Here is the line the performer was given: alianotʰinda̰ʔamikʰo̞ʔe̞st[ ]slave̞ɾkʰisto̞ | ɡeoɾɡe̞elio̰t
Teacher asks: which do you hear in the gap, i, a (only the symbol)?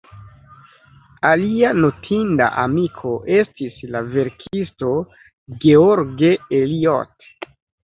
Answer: i